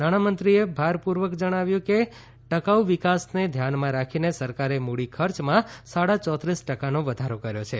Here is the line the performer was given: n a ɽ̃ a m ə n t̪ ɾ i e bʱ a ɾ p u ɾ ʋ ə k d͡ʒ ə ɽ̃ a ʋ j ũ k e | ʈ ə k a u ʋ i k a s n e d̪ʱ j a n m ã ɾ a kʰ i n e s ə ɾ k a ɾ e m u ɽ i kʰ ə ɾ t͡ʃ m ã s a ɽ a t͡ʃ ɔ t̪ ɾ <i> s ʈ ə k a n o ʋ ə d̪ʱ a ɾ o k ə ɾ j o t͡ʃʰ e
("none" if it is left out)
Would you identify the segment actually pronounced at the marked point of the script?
i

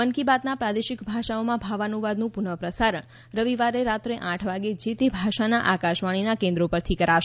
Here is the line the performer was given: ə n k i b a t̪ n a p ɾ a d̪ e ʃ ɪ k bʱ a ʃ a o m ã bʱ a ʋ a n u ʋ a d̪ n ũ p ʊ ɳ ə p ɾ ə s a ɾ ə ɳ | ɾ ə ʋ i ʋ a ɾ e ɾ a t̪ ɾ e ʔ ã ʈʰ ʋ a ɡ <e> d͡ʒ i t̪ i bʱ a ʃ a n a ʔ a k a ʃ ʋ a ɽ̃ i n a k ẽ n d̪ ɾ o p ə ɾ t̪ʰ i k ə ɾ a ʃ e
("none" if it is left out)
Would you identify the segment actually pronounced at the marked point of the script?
e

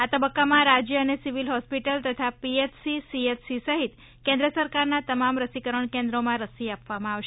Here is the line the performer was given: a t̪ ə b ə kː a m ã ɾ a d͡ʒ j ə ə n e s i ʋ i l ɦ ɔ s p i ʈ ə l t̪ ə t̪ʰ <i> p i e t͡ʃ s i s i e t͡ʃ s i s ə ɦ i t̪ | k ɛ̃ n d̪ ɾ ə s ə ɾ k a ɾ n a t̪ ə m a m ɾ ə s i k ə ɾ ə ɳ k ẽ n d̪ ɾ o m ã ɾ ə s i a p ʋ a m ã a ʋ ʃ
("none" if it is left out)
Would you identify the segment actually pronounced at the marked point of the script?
a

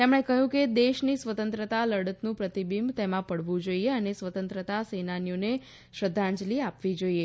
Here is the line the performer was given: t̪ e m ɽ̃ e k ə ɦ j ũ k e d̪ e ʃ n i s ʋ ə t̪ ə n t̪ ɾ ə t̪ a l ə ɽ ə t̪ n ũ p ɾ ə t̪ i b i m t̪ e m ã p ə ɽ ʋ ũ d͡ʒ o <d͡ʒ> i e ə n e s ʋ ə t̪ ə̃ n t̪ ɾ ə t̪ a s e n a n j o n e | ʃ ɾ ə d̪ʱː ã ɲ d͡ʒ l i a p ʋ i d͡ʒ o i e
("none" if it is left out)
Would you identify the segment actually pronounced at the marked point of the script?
none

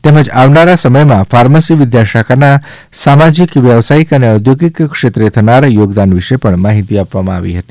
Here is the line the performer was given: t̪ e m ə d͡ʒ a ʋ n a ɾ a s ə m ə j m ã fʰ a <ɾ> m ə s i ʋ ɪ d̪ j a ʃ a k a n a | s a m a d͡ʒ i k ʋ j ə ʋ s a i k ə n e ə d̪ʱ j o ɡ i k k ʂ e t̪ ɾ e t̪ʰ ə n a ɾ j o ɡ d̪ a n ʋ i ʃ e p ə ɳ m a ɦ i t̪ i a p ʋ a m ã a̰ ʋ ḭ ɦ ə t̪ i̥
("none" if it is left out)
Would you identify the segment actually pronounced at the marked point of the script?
ɾ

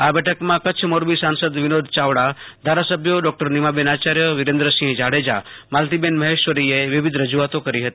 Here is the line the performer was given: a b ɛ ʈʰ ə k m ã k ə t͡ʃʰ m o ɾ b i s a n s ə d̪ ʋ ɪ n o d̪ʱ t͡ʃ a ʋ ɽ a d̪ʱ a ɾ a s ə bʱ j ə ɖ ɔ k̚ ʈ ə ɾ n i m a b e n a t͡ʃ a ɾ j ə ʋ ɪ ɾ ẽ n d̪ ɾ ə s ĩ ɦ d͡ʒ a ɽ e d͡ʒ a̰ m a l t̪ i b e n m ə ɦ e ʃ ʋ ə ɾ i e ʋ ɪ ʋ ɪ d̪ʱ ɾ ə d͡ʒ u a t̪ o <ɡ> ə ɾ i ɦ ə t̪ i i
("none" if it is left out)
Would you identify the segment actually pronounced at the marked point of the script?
k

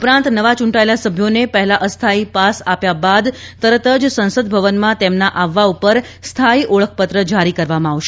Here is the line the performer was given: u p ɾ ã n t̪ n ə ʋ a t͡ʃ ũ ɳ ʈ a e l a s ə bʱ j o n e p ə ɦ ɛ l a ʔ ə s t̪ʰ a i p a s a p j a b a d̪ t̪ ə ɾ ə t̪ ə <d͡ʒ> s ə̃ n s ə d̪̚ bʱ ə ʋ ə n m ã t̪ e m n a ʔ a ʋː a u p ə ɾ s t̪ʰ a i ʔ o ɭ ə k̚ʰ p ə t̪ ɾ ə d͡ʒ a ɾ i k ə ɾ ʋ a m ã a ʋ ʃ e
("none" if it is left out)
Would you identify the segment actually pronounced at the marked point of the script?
d͡ʒ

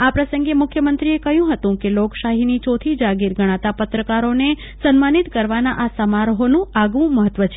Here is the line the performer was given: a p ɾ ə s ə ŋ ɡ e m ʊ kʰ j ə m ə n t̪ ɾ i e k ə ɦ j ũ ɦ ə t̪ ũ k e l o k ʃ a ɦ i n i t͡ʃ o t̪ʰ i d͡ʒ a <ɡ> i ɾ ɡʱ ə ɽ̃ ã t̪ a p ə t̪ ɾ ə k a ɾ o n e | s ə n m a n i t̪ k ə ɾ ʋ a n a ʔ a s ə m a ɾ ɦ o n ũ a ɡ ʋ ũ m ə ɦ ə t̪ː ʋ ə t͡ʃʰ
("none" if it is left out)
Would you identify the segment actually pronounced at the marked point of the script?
ɡ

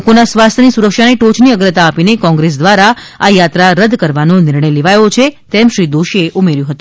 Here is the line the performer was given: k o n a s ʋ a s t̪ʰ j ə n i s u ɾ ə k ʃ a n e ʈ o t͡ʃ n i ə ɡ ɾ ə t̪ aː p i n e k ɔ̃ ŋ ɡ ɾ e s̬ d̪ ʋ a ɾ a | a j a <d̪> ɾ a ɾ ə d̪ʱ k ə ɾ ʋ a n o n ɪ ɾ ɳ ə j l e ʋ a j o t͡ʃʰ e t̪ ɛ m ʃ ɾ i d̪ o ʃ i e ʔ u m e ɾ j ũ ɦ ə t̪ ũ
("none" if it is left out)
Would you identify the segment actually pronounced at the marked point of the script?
t̪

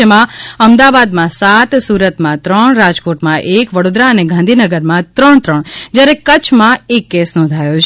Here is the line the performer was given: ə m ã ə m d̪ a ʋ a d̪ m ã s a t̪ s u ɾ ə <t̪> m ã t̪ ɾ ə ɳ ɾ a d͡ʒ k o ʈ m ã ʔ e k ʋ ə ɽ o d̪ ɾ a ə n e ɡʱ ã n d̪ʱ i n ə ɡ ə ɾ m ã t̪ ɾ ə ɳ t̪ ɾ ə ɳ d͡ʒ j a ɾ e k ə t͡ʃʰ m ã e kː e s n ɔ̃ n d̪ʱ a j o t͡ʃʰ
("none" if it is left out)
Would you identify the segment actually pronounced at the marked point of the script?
t̪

